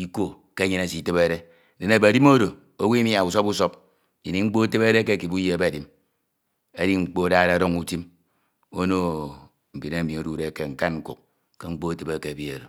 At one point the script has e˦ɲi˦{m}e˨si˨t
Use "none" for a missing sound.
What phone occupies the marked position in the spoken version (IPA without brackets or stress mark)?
n